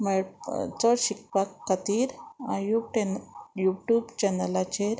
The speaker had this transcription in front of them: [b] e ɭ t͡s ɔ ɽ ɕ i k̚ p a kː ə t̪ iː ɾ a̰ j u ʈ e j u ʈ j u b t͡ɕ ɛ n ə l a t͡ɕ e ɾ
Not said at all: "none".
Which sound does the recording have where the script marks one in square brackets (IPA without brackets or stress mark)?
m